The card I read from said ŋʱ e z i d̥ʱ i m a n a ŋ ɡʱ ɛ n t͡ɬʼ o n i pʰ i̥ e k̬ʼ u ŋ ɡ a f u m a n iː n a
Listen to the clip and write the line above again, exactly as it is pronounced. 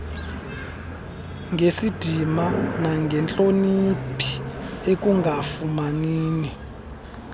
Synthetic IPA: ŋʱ e s i d̥ʱ i m a n a ŋ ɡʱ ɛ n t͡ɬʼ o n i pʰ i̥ e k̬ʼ u ŋ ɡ a f u m a n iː n i